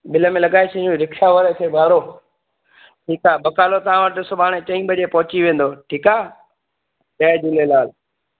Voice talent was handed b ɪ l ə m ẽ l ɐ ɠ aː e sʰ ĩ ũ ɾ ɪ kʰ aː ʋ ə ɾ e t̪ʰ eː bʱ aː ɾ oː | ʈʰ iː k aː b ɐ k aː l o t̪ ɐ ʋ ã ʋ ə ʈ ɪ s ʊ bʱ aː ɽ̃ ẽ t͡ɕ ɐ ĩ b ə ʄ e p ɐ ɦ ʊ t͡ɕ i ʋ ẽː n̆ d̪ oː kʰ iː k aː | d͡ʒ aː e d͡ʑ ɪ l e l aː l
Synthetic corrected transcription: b ɪ l ə m ẽ l ɐ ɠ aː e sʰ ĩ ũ ɾ ɪ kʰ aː ʋ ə ɾ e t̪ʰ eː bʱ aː ɾ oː | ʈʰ iː k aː b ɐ k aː l o t̪ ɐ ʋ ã ʋ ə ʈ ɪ s ʊ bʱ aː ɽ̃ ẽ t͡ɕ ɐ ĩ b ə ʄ e p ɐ ɦ ʊ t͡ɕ i ʋ ẽː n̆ d̪ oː ʈʰ iː k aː | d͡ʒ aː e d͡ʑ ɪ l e l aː l